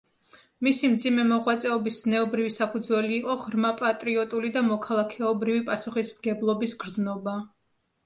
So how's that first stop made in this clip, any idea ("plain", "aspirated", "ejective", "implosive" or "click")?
plain